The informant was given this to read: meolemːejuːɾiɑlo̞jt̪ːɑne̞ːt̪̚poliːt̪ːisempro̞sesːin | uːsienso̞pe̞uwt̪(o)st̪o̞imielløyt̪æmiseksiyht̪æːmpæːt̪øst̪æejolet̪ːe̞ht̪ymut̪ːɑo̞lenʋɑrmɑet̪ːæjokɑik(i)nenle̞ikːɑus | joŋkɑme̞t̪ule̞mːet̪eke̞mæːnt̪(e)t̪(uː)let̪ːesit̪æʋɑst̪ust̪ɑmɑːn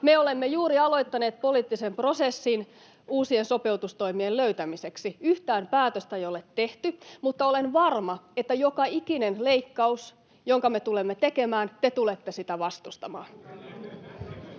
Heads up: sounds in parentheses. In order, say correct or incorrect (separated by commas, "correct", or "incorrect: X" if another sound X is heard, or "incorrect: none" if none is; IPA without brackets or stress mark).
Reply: incorrect: u, correct, correct, incorrect: u